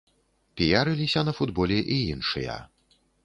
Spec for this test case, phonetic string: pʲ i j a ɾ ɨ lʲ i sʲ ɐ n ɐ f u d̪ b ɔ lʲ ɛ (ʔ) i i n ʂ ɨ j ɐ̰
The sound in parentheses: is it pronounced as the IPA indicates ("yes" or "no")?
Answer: yes